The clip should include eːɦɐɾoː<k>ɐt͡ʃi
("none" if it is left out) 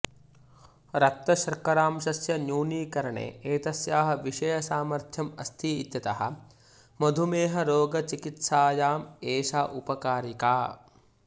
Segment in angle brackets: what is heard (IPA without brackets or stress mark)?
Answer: ɡ